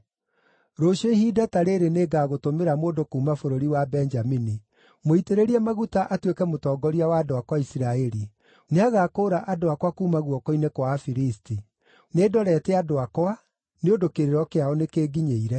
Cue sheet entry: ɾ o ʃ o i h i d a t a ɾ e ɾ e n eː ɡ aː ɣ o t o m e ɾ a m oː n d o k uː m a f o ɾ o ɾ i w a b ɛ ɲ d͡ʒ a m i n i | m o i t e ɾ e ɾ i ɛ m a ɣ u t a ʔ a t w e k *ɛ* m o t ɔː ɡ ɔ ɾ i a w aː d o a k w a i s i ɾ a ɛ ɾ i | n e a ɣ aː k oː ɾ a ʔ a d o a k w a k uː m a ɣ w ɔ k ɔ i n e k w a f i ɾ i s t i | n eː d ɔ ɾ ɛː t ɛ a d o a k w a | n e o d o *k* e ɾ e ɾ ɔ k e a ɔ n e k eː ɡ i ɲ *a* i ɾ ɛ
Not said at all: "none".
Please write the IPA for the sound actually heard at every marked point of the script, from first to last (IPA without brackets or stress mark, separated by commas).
ɛ, k, e